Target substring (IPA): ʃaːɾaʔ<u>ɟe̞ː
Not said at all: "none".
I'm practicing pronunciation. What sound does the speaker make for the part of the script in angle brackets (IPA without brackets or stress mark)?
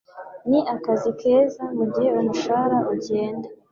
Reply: u